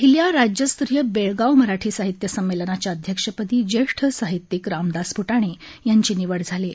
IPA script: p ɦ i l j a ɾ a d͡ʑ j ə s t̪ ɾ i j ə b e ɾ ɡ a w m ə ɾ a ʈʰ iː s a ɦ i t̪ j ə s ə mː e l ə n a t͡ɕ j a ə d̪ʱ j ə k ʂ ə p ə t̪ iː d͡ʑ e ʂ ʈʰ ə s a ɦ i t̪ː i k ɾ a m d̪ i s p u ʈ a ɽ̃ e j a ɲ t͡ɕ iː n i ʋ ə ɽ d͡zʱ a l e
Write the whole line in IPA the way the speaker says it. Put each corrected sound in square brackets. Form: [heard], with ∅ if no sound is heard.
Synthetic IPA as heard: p ɦ i l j a ɾ a d͡ʑ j ə s t̪ ɾ i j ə b e [ɭ] ɡ a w m ə ɾ a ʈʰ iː s a ɦ i t̪ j ə s ə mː e l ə n a t͡ɕ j a ə d̪ʱ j ə k ʂ ə p ə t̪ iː d͡ʑ e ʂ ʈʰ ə s a ɦ i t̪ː i k ɾ a m d̪ [a] s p u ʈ a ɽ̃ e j a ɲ t͡ɕ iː n i ʋ ə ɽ d͡zʱ a l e